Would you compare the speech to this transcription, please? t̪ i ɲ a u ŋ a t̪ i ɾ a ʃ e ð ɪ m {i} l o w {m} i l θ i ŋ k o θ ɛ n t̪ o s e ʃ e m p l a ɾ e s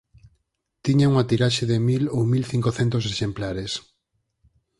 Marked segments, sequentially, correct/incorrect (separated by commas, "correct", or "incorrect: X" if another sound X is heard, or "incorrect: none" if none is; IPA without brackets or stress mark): correct, correct